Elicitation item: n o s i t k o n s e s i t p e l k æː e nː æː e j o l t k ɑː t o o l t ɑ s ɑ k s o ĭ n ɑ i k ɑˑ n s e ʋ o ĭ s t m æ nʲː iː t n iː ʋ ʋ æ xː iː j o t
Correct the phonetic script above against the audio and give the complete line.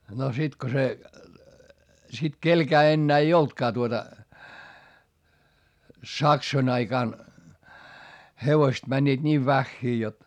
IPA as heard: n o s i t k o s e s i t k e l k æː e nː æː e i o l t k ɑː t u o t ɑ s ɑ k s o ĭ n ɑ i k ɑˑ n h e ʋ o ĭ s t m æ nʲː iː t n iː ʋ ʋ æ xː iː j o t

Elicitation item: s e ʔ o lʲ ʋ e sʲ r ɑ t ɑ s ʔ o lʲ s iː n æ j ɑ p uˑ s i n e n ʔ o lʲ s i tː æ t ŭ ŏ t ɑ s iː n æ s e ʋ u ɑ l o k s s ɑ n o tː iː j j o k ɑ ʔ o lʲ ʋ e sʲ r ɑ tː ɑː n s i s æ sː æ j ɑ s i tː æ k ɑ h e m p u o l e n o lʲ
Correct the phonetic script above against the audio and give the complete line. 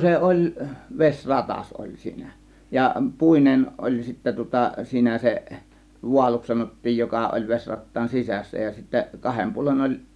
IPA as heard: s e ʔ o lʲ ʋ e sʲ r ɑ t ɑ s ʔ o lʲ s iː n æ j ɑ p uˑ i n e n ʔ o lʲ s i tː æ t ŭ ŏ t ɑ s iː n æ s e ʋ u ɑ l u k s s ɑ n o tː iː j j o k ɑ ʔ o lʲ ʋ e sʲ r ɑ tː ɑː n s i s æ sː æ j ɑ s i tː æ k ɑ h e m p u o l e n o lʲ

